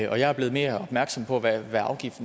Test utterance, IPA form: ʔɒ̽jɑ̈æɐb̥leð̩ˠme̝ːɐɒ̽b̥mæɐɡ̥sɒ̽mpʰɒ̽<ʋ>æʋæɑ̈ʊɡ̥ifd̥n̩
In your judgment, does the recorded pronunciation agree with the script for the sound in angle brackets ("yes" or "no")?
yes